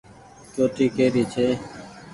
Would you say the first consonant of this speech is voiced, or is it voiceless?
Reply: voiceless